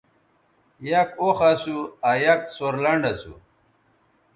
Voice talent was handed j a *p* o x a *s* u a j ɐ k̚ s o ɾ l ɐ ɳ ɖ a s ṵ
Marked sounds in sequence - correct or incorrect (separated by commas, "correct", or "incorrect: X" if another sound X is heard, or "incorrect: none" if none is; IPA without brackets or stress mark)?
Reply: incorrect: k, correct